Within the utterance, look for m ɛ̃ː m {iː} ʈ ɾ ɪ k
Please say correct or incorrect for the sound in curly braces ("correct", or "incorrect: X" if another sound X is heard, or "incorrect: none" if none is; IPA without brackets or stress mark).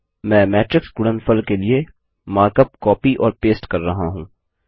incorrect: ɛː